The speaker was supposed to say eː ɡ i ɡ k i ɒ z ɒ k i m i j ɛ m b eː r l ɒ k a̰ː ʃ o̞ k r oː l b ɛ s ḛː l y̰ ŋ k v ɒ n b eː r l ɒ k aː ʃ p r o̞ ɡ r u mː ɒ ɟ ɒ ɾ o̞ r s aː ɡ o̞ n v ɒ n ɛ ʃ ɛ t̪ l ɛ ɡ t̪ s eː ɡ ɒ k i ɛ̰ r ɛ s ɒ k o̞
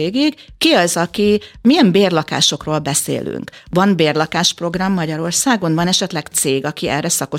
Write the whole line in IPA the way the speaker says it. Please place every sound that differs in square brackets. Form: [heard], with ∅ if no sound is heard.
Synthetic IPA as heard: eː ɡ i ɡ k i ɒ z ɒ k i m i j ɛ m b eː r l ɒ k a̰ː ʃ o̞ k r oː l b ɛ s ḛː l y̰ ŋ k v ɒ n b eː r l ɒ k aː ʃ p r o̞ ɡ r [ɒ] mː ɒ ɟ ɒ ɾ o̞ r s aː ɡ o̞ n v ɒ n ɛ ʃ ɛ t̪ l ɛ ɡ t̪ s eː ɡ ɒ k i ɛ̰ r ɛ s ɒ k o̞